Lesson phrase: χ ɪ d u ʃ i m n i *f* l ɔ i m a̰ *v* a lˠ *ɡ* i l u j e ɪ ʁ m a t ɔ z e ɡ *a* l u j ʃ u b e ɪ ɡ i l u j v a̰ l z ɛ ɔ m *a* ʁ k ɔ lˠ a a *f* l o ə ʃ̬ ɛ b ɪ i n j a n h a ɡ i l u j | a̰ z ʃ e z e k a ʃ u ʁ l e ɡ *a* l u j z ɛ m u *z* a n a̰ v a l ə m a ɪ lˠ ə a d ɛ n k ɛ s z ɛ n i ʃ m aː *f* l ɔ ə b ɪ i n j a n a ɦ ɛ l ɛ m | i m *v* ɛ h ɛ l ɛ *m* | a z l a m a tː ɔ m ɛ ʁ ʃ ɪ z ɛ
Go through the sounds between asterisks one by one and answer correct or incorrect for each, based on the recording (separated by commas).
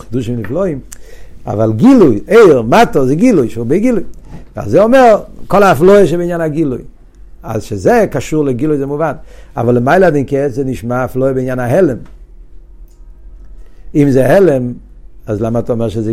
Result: correct, correct, correct, incorrect, incorrect, correct, incorrect, incorrect, correct, incorrect, correct